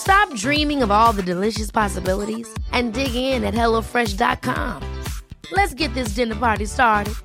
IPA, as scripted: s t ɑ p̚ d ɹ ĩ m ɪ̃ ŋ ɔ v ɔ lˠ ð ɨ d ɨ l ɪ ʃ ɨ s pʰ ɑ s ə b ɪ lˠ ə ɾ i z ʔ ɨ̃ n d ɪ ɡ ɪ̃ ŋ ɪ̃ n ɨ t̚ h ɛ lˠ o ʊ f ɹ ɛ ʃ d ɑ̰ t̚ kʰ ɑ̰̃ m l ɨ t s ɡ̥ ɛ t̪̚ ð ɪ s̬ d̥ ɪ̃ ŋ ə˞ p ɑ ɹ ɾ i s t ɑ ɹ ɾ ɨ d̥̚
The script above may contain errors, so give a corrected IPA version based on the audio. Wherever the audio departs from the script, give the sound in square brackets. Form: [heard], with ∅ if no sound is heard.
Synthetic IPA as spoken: s t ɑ p̚ d ɹ ĩ m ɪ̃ ŋ [ʌ] v ɔ lˠ ð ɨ d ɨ l ɪ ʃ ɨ s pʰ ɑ s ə b ɪ lˠ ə ɾ i z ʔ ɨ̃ n d ɪ ɡ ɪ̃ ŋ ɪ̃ n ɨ t̚ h ɛ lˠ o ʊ f ɹ ɛ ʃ d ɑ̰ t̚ kʰ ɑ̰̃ m l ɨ t s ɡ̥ ɛ t̪̚ ð ɪ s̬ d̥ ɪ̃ [n] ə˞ p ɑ ɹ ɾ i s t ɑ ɹ ɾ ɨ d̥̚